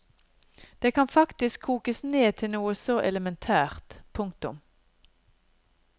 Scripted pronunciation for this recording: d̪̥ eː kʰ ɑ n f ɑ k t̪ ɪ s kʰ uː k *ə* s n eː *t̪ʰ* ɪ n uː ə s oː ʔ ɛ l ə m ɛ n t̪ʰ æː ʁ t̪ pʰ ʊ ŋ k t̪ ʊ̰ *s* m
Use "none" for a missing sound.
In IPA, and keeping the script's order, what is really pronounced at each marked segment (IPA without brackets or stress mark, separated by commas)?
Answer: ə, t̪ʰ, none